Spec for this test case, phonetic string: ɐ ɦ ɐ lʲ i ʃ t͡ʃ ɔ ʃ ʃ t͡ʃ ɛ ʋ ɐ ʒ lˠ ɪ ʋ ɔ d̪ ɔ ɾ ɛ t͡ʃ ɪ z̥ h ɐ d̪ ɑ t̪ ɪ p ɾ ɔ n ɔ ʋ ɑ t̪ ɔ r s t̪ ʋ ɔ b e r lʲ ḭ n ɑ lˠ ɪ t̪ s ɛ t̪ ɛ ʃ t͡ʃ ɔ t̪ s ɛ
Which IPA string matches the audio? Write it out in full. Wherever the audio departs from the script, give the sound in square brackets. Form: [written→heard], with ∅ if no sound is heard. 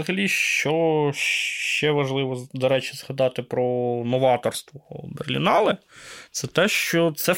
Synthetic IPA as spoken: ɐ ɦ ɐ lʲ i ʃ t͡ʃ ɔ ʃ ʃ t͡ʃ ɛ ʋ ɐ ʒ lˠ ɪ ʋ ɔ d̪ ɔ ɾ ɛ t͡ʃ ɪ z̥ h ɐ d̪ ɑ t̪ ɪ p ɾ ɔ n ɔ ʋ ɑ t̪ ɔ r s t̪ ʋ ɔ b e r lʲ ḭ n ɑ lˠ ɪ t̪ s ɛ t̪ ɛ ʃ t͡ʃ ɔ t̪ s ɛ